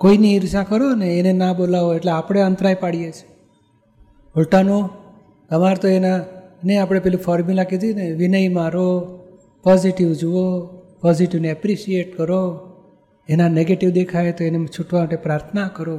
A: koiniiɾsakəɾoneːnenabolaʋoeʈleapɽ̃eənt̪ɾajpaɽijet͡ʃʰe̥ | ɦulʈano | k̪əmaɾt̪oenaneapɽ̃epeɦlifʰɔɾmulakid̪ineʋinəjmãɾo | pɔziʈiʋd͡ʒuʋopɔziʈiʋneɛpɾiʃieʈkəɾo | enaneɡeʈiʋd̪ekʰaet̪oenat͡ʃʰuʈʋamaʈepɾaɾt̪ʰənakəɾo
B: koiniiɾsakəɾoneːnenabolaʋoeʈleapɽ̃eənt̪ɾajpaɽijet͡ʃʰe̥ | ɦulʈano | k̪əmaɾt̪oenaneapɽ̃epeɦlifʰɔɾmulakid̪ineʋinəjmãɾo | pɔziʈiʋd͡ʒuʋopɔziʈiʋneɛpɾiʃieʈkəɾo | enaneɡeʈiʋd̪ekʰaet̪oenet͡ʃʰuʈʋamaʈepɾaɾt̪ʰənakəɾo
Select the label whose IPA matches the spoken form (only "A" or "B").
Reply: B